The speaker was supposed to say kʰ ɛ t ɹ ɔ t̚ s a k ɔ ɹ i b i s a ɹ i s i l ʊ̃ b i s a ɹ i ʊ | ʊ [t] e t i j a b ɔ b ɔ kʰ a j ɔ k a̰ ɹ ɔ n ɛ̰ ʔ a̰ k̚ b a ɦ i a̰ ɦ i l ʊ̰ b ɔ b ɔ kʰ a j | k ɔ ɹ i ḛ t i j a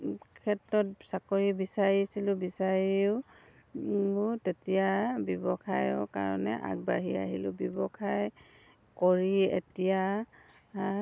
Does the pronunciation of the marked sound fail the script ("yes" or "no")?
no